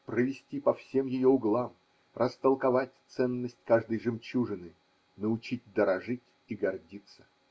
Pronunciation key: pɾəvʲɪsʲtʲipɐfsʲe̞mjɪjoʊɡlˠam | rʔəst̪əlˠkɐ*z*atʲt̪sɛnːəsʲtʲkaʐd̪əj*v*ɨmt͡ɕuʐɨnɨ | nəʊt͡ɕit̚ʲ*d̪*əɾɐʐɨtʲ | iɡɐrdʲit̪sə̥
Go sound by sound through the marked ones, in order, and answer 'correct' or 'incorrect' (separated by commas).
incorrect, incorrect, correct